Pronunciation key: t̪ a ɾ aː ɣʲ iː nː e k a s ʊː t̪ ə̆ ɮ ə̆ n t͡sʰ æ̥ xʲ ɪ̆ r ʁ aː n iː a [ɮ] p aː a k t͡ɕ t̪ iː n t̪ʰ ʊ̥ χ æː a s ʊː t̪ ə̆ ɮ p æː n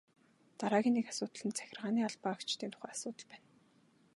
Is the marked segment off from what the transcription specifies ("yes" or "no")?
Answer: no